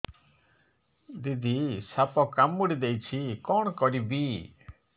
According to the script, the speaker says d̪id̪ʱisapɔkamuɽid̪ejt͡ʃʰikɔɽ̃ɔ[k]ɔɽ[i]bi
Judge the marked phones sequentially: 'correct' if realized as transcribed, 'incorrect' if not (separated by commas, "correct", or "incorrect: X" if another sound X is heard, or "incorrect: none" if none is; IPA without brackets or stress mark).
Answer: correct, correct